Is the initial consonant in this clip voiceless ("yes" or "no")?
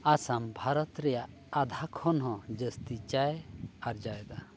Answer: yes